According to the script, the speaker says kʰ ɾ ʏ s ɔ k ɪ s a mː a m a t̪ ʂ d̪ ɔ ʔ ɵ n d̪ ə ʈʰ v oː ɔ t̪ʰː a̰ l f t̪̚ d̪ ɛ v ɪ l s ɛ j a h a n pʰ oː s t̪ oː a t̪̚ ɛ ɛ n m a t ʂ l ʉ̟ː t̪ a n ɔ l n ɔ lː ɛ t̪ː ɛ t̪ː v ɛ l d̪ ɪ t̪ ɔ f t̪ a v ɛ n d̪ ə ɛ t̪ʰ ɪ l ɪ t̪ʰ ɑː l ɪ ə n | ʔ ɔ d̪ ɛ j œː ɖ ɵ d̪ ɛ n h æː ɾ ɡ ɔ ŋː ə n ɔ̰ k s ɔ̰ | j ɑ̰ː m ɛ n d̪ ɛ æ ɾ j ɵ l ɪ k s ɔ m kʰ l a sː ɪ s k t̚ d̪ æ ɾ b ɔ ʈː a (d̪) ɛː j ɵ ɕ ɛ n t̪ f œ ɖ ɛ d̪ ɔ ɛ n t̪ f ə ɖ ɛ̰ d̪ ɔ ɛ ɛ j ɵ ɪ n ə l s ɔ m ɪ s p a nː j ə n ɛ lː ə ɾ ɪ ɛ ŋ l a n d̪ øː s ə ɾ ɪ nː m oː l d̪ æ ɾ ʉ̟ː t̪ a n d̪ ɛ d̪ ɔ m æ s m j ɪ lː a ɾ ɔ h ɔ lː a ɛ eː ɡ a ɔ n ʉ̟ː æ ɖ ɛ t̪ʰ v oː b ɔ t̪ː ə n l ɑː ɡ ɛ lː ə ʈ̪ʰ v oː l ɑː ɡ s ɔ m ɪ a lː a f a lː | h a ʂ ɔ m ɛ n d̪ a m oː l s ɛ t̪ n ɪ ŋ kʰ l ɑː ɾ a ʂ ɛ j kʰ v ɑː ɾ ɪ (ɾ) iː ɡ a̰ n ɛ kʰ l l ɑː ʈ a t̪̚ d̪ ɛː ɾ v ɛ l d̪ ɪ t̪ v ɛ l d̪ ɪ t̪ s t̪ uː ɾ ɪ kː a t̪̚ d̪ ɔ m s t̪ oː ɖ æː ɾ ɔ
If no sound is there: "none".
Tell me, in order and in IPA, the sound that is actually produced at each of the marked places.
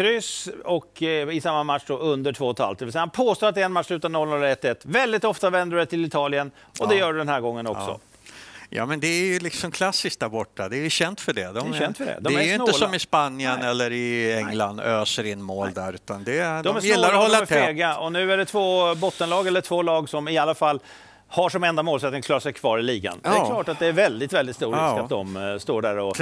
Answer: d̪, l

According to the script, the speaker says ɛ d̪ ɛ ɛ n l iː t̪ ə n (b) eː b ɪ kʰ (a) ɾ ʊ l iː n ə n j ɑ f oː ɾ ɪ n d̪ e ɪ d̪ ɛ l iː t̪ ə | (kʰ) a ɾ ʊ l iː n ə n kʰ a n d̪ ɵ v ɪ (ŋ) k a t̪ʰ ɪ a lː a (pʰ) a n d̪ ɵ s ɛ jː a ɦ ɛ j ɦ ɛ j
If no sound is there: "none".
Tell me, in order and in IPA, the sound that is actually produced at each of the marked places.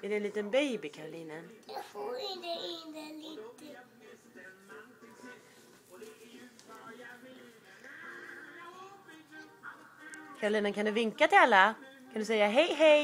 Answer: b, a, kʰ, ŋ, kʰ

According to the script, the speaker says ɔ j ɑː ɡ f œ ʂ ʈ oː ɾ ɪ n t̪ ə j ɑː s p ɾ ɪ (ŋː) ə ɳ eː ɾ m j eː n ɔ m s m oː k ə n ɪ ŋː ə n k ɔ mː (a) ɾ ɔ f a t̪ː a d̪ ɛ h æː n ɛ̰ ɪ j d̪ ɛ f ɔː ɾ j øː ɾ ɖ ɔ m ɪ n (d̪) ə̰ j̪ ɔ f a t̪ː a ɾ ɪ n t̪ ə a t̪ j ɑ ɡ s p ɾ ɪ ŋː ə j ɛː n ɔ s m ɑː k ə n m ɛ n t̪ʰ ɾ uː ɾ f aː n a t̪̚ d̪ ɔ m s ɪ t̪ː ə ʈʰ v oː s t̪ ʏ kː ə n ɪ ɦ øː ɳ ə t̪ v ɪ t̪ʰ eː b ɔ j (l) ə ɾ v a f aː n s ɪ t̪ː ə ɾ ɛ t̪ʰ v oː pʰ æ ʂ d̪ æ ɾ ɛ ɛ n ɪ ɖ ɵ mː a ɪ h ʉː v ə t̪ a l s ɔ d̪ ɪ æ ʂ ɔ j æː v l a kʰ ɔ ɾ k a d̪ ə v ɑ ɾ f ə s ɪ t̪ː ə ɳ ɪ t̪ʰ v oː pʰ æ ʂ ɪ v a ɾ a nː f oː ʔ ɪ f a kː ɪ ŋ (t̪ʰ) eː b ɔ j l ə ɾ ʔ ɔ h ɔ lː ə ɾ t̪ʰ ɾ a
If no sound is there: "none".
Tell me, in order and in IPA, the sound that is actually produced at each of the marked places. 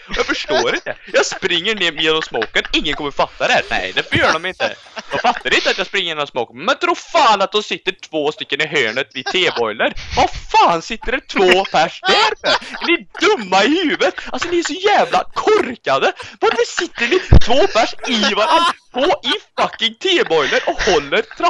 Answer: ŋː, ə, t̪, l, t̪ʰ

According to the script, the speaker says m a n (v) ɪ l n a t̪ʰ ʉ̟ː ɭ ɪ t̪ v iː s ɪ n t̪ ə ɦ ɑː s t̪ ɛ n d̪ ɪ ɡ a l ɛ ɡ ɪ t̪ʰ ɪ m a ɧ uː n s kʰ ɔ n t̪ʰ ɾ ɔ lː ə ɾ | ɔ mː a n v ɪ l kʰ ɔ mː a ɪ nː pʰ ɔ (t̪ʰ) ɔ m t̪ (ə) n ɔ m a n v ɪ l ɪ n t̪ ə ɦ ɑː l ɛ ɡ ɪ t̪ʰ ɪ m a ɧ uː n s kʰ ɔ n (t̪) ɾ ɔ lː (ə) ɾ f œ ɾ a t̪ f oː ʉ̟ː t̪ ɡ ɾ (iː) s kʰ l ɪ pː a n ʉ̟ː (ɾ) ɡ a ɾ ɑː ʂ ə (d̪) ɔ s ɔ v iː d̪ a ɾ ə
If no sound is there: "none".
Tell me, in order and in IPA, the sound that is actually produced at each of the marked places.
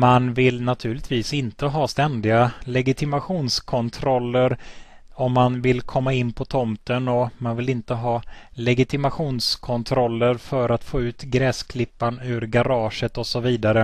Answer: v, t̪ʰ, ə, t̪ʰ, ə, ɛː, ɾ, t̪

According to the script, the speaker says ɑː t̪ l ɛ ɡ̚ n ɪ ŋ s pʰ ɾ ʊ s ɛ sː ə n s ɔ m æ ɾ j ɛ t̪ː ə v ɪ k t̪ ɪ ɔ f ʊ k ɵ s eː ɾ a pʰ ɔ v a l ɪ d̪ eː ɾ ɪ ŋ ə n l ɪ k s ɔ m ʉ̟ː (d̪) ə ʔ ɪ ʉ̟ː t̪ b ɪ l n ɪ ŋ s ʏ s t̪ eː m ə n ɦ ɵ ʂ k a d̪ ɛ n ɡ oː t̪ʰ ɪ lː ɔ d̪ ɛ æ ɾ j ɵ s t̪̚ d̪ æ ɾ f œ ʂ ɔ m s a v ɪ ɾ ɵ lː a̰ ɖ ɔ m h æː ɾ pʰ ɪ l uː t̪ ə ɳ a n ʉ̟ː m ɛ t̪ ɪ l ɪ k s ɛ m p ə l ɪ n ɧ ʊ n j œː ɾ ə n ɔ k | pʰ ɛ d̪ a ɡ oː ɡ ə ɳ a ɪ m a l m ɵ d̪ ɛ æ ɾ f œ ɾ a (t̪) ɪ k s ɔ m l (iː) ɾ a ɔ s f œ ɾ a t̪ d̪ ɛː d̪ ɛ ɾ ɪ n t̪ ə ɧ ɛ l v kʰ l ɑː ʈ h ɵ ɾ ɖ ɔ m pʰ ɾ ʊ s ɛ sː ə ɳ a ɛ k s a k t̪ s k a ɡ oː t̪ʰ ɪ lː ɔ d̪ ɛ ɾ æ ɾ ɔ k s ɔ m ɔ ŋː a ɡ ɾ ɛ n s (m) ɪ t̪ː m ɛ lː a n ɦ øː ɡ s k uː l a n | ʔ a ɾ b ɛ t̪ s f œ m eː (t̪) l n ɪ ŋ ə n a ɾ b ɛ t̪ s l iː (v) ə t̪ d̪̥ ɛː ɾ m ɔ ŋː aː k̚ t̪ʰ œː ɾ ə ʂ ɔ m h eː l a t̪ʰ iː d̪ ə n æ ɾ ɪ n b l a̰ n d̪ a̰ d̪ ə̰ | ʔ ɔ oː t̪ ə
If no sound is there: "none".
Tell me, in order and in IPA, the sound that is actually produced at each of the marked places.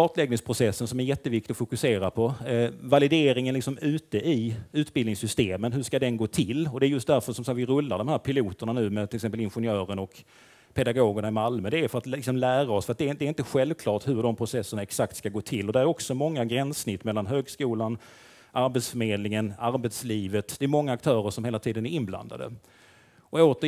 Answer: t̪, t̪, æː, n, d̪, v

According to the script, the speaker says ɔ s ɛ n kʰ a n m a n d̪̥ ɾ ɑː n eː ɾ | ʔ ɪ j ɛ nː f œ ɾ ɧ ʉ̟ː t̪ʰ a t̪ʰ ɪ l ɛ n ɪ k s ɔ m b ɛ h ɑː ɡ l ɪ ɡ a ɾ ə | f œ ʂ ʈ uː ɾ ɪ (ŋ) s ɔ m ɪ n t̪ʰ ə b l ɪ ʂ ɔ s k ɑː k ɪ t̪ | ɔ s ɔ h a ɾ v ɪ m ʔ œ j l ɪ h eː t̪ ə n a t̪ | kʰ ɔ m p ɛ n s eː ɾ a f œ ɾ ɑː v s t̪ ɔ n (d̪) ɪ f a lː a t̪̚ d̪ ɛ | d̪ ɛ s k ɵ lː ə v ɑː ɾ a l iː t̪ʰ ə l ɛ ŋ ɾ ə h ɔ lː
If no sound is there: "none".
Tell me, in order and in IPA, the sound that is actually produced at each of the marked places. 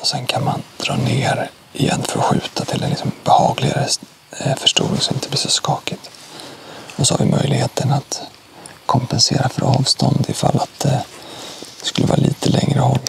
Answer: ŋ, d̪

